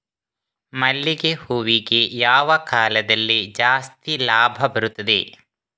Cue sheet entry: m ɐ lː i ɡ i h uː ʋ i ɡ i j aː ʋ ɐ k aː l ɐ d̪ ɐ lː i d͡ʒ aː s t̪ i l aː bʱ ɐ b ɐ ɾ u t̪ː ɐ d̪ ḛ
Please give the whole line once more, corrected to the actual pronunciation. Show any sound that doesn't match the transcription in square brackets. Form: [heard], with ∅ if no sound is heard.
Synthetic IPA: m ɐ lː i ɡ [e] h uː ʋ i ɡ [e] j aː ʋ ɐ k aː l ɐ d̪ ɐ lː i d͡ʒ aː s t̪ i l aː bʱ ɐ b ɐ ɾ u t̪ː ɐ d̪ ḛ